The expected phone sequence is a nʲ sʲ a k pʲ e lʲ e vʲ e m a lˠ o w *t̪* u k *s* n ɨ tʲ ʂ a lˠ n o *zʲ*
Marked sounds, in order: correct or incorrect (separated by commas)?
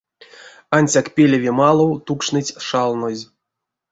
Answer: correct, incorrect, correct